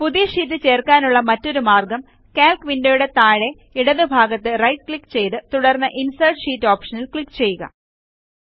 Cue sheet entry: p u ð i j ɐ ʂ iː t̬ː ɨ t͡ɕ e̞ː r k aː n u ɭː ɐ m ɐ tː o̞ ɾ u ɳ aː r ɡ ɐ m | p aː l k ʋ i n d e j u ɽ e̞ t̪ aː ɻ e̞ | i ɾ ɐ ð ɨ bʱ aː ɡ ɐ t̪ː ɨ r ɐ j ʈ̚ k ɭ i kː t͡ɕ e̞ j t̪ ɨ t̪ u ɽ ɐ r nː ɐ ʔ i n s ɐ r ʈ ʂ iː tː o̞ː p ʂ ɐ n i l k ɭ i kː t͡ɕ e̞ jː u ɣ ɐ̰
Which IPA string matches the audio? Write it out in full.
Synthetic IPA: p u ð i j ɐ ʂ iː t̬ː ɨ t͡ɕ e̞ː r k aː n u ɭː ɐ m ɐ tː o̞ ɾ u m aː r ɡ ɐ m | k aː l k ʋ i n d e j u ɽ e̞ t̪ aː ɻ e̞ | i ɽ ɐ ð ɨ bʱ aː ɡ ɐ t̪ː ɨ r ɐ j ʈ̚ k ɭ i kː t͡ɕ e̞ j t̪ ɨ t̪ u ɽ ɐ r nː ɐ ʔ i n s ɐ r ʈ ʂ iː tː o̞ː p ʂ ɐ n i l k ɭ i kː t͡ɕ e̞ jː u ɣ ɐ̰